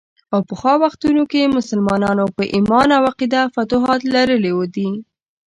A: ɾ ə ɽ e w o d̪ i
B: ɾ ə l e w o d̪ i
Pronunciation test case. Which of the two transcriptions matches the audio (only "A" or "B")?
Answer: B